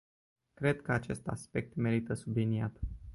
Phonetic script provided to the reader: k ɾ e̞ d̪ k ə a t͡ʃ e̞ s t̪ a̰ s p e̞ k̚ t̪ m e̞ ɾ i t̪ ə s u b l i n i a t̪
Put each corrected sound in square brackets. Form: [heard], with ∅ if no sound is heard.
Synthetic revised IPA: k ɾ e̞ d̪ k ə a t͡ʃ e̞ s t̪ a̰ s p e̞ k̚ t̪ m e̞ ɾ i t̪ ə s u b l i n i a t̪

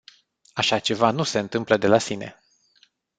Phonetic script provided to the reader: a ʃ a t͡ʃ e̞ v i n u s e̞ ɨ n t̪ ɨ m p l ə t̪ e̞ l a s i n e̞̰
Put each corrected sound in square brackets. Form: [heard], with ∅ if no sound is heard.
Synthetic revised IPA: a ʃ a t͡ʃ e̞ v [a] n u s e̞ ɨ n t̪ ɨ m p l ə [d̪] e̞ l a s i n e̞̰

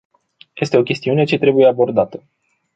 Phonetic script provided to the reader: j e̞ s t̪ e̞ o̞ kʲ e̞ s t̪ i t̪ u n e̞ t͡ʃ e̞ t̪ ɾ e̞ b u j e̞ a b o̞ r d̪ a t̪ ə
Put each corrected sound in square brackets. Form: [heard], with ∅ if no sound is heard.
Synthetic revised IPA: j e̞ s t̪ e̞ o̞ kʲ e̞ s t̪ i [∅] u n e̞ t͡ʃ e̞ t̪ ɾ e̞ b u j e̞ a b o̞ r d̪ a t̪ ə

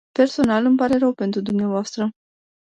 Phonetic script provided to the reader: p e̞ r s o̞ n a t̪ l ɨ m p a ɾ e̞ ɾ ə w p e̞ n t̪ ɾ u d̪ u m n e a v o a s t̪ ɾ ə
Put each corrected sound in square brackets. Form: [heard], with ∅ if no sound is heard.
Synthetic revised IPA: p e̞ r s o̞ n a [∅] l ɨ m p a ɾ e̞ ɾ ə w p e̞ n t̪ ɾ u d̪ u m n e a v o a s t̪ ɾ ə

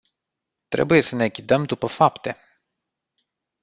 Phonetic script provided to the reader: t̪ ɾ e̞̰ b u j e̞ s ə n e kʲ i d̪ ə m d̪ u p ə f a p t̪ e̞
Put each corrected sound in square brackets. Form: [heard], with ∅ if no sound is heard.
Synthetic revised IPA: t̪ ɾ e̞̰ b u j e̞ s ə n e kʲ i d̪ ə m d̪ u p ə f a p t̪ e̞

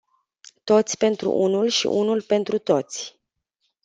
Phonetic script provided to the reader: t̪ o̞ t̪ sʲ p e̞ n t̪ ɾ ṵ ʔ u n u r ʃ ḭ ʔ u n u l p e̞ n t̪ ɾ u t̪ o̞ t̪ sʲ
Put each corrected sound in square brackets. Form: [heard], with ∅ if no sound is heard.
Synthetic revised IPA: t̪ o̞ t̪ sʲ p e̞ n t̪ ɾ ṵ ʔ u n u [l] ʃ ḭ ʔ u n u l p e̞ n t̪ ɾ u t̪ o̞ t̪ sʲ

